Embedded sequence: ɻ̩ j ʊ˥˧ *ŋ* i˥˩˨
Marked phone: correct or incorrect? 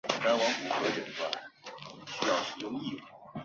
correct